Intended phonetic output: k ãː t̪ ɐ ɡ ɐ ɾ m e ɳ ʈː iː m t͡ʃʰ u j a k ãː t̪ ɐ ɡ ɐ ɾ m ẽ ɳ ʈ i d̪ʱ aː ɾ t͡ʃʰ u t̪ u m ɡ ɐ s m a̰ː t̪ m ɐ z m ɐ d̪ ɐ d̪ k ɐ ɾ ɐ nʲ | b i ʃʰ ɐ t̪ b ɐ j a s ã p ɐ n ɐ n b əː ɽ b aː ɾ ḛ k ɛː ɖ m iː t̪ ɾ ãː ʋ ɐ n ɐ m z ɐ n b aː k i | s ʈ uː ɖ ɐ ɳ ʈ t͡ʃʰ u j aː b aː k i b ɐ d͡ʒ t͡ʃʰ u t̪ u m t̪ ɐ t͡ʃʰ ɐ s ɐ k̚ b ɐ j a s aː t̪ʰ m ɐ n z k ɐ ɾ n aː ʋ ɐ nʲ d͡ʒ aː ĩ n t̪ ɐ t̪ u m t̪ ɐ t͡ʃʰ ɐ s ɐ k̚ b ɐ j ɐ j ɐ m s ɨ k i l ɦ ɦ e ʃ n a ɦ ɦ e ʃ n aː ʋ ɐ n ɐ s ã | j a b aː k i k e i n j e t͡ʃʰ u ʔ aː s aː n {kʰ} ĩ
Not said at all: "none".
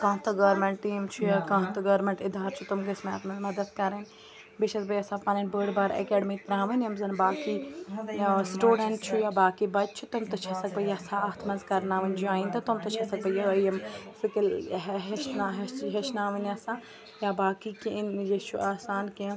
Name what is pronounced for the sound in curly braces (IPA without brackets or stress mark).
k